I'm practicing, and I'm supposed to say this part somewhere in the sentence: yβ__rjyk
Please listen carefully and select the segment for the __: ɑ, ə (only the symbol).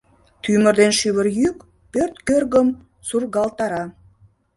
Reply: ə